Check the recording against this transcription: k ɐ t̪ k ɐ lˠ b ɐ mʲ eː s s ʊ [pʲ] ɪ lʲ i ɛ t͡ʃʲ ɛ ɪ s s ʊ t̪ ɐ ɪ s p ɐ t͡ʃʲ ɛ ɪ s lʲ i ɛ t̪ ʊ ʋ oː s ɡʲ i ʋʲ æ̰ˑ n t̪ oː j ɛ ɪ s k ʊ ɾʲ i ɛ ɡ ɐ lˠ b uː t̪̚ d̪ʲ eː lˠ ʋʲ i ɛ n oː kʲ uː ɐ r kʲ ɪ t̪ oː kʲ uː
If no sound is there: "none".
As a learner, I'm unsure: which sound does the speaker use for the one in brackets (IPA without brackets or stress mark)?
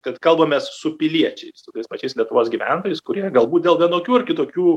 pʲ